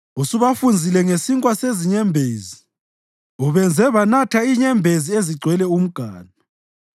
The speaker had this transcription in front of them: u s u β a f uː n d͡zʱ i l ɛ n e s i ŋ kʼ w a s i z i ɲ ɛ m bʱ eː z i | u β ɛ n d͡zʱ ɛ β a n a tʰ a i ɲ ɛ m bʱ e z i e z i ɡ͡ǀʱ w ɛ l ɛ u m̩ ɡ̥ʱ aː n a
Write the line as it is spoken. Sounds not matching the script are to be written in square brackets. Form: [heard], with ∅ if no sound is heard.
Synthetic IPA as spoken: u s u β a f [u] n d͡zʱ i l ɛ [ŋ] e s i ŋ kʼ w a s [e] z i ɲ ɛ m bʱ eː z i | u β ɛ n d͡zʱ ɛ β a n a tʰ a i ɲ ɛ m bʱ e z i e z i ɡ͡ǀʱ w ɛ l ɛ u m̩ ɡ̥ʱ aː n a